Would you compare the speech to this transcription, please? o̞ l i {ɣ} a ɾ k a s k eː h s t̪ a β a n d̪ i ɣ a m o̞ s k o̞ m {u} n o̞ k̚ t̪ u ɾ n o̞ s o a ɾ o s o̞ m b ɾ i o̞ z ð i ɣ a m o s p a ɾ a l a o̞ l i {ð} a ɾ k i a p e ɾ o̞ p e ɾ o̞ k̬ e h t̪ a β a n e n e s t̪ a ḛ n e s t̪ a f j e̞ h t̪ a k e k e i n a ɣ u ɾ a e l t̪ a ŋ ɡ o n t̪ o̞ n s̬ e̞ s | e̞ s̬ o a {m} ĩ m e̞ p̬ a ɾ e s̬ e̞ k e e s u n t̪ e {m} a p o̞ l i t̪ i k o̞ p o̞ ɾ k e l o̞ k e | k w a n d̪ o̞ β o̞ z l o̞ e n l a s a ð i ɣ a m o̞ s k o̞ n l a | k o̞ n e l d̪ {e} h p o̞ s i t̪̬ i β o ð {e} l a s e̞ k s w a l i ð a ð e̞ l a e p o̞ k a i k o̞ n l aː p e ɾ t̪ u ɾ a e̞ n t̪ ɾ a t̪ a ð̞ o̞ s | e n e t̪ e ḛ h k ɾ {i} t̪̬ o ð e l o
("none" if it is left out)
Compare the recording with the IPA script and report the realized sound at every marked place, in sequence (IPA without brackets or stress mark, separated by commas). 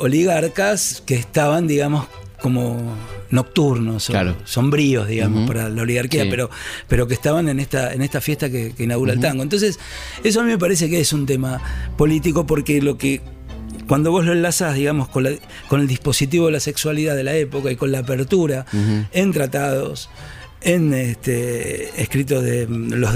ɣ, o, ɣ, m, m, i, e, i